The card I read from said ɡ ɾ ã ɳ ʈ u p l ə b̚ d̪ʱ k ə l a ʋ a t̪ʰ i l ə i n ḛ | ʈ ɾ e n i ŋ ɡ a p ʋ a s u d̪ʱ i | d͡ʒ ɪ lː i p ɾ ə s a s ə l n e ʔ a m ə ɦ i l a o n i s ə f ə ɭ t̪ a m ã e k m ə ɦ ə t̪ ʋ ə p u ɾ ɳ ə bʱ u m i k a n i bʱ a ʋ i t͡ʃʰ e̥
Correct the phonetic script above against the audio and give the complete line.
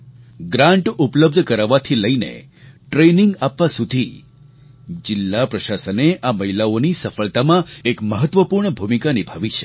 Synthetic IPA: ɡ ɾ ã ɳ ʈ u p l ə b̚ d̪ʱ k ə ɾ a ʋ a t̪ʰ i l ə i n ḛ | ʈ ɾ e n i ŋ ɡ a p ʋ a s u d̪ʱ i | d͡ʒ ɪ lː a p ɾ ə ʃ a s ə n e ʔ a m ə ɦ i l a o n i s ə f ə ɭ t̪ a m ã e k m ə ɦ ə t̪ ʋ ə p u ɾ ɳ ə bʱ u m i k a n i bʱ a ʋ i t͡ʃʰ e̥